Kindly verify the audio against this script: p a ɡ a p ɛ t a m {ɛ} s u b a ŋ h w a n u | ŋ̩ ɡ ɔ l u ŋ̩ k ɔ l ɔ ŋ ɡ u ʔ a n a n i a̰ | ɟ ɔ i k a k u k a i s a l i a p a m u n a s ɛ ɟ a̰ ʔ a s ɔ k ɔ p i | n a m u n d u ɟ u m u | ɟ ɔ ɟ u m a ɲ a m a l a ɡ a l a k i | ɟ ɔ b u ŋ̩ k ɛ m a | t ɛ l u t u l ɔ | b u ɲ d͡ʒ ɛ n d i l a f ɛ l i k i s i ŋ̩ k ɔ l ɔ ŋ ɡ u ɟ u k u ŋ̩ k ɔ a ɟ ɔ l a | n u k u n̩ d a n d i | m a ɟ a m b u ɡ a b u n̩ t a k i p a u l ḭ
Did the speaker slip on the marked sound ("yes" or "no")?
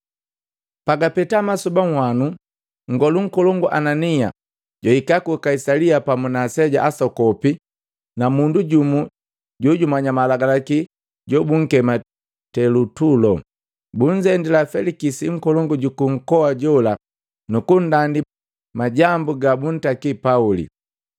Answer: yes